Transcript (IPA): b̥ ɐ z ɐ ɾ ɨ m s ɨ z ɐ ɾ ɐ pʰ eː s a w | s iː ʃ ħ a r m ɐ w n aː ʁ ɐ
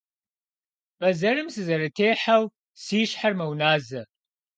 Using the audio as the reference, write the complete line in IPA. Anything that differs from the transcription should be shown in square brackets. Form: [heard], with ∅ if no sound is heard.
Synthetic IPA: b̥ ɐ z ɐ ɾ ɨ m s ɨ z ɐ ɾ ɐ [tʰ] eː [ħ] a w | s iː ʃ ħ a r m ɐ w n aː [z] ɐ